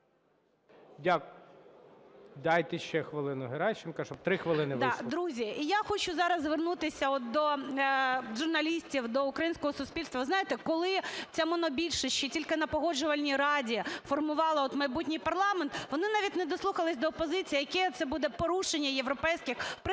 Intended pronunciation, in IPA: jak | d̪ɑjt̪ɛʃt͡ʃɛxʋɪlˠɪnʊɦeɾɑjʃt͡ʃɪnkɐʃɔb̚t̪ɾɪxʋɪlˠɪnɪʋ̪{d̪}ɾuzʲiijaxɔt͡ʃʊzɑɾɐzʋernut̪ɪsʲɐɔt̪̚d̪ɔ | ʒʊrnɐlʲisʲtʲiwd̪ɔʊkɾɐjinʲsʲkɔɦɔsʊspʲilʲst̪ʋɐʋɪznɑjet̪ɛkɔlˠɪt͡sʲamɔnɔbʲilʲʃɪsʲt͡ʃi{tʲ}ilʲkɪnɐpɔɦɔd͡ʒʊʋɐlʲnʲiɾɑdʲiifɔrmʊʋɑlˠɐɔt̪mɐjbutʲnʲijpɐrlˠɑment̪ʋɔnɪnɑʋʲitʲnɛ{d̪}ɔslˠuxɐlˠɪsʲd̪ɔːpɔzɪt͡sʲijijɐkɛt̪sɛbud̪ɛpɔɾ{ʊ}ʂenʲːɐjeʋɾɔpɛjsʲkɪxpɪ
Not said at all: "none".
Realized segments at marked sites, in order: d̪, tʲ, d̪, u

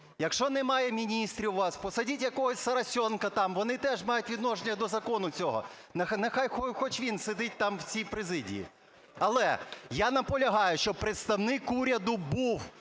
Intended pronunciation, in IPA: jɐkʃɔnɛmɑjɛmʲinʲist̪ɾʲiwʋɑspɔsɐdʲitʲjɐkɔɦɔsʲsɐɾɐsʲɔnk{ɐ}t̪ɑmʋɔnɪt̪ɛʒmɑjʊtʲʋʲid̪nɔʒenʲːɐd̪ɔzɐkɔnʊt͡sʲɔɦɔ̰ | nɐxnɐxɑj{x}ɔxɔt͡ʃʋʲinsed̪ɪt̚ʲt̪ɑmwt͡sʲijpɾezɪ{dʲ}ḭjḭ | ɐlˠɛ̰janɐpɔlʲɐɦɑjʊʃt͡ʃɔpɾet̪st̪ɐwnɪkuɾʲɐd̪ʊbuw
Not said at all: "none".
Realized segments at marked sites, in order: ɐ, x, dʲ

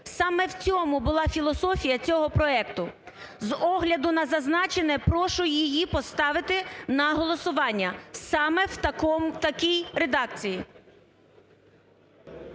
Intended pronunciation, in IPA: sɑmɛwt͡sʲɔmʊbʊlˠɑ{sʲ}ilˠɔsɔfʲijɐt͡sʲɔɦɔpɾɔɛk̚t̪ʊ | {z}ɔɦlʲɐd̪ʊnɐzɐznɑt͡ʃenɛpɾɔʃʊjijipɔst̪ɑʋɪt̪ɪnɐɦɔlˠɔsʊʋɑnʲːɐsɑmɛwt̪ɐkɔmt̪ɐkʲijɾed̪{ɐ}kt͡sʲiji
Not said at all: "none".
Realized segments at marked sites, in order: fʲ, z, ɑ

